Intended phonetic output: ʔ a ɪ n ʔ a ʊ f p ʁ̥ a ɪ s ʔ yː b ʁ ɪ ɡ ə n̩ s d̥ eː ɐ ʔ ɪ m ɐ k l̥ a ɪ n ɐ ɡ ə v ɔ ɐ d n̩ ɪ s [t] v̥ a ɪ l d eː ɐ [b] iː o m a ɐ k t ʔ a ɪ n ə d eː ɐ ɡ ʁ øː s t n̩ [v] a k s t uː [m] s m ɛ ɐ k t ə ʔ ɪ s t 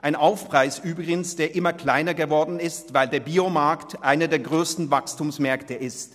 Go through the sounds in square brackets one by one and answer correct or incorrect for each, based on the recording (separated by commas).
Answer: correct, correct, correct, correct